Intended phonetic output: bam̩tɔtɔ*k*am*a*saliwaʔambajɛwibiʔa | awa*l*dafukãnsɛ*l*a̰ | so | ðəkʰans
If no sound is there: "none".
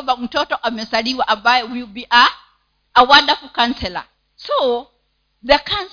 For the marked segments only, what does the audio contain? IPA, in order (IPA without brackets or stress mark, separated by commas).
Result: ʔ, ɛ, none, l